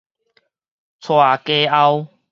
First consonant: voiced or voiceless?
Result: voiceless